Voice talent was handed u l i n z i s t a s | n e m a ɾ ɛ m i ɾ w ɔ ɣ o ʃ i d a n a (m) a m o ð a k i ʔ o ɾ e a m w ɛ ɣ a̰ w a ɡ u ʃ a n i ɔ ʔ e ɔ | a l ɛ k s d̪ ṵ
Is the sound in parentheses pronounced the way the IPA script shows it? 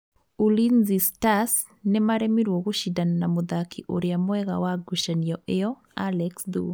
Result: no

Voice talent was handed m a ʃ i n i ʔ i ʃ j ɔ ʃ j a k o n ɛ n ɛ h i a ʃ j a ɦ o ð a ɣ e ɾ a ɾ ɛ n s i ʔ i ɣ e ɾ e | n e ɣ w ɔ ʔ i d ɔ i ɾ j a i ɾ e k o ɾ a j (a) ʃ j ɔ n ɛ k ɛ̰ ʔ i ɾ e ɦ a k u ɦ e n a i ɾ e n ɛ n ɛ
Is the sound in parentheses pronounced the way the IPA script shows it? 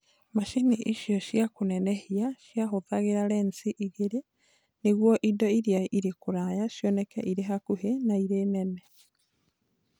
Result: yes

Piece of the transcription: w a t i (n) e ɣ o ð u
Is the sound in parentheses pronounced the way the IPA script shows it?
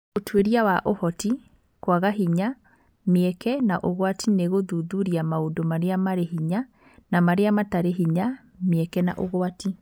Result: yes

